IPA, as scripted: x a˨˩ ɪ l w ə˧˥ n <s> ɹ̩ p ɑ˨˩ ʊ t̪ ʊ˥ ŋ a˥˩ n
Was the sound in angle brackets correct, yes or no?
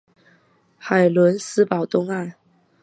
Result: yes